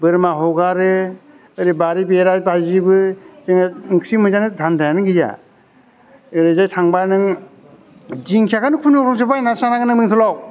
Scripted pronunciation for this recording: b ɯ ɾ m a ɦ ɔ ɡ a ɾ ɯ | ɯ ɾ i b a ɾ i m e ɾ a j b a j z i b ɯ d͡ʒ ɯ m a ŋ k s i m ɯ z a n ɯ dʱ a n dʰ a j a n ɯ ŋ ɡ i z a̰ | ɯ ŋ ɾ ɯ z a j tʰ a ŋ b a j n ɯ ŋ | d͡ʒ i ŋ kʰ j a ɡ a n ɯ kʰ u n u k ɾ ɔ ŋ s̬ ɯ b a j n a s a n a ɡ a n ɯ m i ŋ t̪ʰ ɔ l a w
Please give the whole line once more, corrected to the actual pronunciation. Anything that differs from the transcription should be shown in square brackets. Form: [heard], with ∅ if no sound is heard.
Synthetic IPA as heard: b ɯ ɾ m a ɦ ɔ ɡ a ɾ ɯ | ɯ ɾ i b a ɾ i [b] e ɾ a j b a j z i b ɯ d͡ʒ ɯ [ŋ] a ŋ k s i m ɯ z a n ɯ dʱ a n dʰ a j a n ɯ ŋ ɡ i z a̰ | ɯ [∅] ɾ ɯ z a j tʰ a ŋ b a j n ɯ ŋ | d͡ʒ i ŋ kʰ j a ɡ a n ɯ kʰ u n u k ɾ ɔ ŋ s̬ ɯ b a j n a s a n a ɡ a n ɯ m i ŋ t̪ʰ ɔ l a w